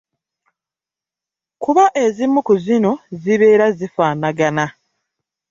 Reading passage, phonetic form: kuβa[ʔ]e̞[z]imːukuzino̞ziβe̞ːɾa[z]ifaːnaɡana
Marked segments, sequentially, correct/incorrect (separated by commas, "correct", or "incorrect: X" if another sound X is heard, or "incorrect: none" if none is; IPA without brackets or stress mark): correct, correct, correct